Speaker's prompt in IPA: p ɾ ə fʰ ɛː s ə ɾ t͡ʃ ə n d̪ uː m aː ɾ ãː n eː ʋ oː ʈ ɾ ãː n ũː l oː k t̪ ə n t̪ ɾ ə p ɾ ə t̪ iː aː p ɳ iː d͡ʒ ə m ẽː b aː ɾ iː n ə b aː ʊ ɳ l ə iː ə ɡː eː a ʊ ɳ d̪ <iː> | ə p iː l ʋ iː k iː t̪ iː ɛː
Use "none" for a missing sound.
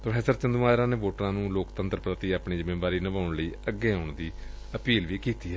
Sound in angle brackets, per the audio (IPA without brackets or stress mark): iː